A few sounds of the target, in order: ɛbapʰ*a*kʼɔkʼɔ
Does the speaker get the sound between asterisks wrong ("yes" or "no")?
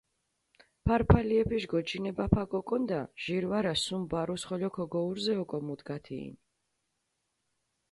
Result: no